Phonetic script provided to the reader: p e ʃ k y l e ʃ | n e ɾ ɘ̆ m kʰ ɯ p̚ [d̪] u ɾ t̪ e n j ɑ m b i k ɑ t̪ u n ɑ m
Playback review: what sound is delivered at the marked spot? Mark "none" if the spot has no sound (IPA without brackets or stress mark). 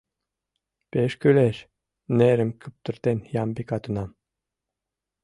t̪